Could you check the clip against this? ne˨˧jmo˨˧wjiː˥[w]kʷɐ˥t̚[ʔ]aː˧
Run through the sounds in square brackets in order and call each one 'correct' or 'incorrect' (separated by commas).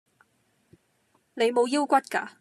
correct, incorrect